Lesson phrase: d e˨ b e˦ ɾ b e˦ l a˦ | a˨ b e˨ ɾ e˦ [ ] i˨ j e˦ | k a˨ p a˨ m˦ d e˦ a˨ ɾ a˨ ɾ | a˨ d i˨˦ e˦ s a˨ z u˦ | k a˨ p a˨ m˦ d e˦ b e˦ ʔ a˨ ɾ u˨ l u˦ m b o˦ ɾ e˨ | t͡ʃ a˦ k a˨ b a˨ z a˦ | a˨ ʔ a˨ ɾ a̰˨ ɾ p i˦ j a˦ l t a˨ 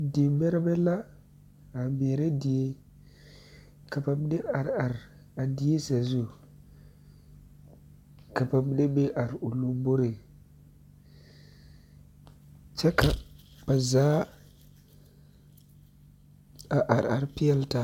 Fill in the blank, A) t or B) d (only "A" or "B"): B